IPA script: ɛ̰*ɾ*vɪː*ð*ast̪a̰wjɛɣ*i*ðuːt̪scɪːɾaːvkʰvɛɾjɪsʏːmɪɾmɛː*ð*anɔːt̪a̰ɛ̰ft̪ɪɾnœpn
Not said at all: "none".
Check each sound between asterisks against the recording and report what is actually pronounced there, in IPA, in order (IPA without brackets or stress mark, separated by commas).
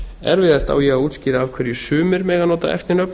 ɾ, ð, a, ɣ